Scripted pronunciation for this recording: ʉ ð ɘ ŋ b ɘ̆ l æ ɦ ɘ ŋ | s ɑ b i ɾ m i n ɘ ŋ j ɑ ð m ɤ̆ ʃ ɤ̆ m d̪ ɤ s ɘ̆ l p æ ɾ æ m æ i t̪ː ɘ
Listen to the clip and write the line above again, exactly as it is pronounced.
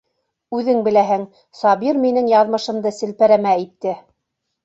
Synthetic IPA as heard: ʉ ð ɘ ŋ b ɘ̆ l æ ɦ ɘ ŋ | s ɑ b i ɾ m i n ɘ ŋ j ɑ ð m ɤ̆ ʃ ɤ̆ m d̪ ɤ s ɘ̆ l p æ ɾ æ m æ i t̪ː ɘ